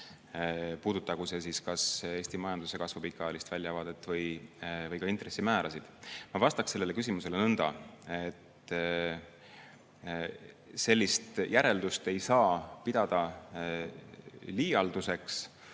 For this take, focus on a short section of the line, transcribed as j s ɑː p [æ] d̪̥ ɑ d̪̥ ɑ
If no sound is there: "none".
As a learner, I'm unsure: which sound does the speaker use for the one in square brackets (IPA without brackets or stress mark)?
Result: i